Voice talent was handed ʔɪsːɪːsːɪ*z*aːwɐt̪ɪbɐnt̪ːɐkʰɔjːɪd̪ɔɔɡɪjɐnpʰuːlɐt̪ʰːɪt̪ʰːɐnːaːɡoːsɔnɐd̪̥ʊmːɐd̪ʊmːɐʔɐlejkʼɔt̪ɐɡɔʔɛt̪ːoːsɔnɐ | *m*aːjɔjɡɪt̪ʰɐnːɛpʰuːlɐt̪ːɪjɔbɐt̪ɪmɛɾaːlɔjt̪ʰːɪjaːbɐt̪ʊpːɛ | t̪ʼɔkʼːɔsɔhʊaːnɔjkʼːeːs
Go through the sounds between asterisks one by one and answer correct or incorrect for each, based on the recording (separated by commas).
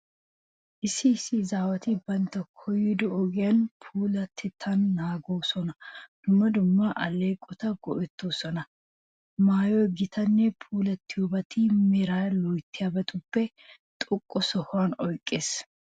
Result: correct, correct